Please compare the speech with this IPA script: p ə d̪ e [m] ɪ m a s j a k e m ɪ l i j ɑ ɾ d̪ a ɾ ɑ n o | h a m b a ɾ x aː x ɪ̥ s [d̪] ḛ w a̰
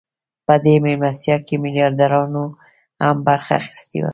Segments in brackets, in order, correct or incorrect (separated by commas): correct, incorrect